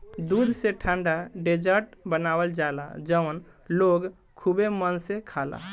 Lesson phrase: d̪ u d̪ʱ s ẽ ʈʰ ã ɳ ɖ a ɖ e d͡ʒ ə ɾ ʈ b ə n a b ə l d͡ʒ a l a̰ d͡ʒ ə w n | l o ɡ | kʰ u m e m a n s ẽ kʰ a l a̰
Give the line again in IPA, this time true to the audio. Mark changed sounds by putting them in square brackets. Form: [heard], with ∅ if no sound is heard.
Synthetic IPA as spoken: d̪ u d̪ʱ s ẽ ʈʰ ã ɳ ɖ a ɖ e d͡ʒ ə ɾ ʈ b ə n a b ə l d͡ʒ a l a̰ d͡ʒ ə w n | l o ɡ | kʰ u [b] e m [ə] n s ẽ kʰ a l a̰